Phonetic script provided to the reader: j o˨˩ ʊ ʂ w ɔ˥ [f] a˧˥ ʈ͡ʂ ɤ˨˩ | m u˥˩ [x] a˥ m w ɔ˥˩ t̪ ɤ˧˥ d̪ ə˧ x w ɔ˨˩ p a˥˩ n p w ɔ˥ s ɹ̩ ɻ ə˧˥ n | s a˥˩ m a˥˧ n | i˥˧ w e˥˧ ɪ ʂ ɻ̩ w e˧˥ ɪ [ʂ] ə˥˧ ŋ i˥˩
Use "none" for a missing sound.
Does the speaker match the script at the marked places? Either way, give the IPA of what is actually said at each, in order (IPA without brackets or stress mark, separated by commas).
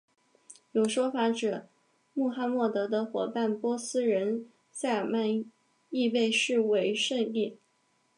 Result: f, x, ʂ